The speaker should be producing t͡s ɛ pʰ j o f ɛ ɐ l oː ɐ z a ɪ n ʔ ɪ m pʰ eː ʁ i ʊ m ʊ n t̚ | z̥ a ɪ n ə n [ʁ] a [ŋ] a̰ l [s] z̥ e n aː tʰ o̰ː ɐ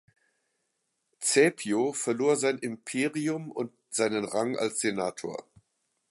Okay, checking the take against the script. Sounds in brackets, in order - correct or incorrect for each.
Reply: correct, correct, correct

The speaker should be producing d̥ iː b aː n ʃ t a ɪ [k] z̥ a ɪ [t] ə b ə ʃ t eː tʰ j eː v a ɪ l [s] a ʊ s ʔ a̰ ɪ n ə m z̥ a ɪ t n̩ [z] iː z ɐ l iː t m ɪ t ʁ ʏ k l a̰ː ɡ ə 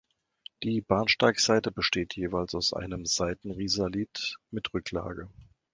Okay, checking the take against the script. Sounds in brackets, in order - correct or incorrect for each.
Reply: correct, correct, correct, incorrect: ʁ

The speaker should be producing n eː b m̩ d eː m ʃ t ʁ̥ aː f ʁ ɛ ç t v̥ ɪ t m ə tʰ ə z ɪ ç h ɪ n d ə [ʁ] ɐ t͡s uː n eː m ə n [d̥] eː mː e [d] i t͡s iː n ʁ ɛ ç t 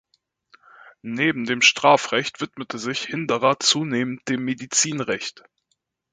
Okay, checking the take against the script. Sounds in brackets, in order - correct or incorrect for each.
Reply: correct, correct, correct

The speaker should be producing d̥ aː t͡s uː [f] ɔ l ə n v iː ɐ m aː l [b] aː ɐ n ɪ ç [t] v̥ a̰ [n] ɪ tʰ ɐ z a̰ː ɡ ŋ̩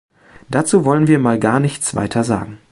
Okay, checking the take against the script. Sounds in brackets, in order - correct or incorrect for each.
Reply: incorrect: v, incorrect: ɡ, incorrect: t͡s, incorrect: none

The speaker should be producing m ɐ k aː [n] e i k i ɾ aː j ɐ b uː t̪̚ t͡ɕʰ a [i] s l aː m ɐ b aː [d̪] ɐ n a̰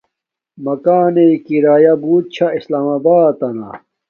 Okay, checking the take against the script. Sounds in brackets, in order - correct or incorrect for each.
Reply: correct, correct, incorrect: t̪

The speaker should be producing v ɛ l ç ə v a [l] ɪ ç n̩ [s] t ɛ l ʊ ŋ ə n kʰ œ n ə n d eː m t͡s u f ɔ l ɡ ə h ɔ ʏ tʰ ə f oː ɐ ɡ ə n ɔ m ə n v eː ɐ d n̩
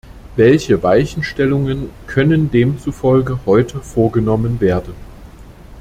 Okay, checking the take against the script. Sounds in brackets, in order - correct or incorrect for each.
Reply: incorrect: none, incorrect: ʃ

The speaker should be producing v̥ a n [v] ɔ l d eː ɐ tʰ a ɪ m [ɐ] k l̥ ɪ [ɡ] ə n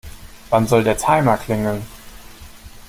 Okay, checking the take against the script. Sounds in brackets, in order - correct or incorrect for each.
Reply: incorrect: z, correct, incorrect: ŋ

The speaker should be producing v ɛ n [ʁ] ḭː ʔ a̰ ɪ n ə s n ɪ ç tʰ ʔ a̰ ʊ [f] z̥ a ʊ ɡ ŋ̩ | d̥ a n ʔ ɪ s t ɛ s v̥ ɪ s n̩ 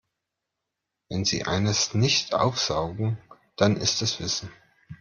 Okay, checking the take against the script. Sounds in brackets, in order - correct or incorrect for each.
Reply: incorrect: z, correct

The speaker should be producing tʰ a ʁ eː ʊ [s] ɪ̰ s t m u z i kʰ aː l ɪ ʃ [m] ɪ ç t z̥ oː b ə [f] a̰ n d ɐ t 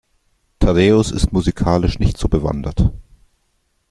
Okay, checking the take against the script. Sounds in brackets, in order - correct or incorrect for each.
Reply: correct, incorrect: n, incorrect: v

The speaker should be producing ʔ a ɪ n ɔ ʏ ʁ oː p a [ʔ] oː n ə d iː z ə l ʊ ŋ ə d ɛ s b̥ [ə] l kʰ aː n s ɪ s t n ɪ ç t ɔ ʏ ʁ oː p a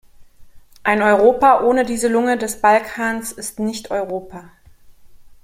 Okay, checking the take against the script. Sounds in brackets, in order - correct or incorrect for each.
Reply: correct, incorrect: a

